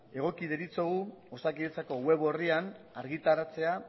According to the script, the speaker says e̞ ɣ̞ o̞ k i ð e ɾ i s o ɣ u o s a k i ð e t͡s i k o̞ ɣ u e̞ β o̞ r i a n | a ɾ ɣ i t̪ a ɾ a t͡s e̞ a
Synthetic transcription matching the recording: e̞ ɣ̞ o̞ k i ð e ɾ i t͡s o ɣ u o s a k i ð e t͡s a k o̞ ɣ w e̞ β o̞ r i a n | a ɾ ɣ i t̪ a ɾ a t͡s e̞ a